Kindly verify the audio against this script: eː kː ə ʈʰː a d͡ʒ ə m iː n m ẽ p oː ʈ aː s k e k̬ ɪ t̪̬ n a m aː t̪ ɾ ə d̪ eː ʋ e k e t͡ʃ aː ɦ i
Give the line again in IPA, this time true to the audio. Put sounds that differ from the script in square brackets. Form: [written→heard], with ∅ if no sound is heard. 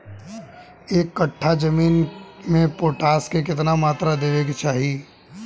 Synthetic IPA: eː kː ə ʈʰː a d͡ʒ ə m iː n m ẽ p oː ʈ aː s k e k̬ ɪ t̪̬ n a m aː t̪ ɾ [ə→a] d̪ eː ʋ e k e t͡ʃ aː ɦ i